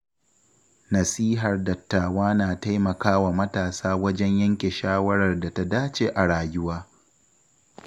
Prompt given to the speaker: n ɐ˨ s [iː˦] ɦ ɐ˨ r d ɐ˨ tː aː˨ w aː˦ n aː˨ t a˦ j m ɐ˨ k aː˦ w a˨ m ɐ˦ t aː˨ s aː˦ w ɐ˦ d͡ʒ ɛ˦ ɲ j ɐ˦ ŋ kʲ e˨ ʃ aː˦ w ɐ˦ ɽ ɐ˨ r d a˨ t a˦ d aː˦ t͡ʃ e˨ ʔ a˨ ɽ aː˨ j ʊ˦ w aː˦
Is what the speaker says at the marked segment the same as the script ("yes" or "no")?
yes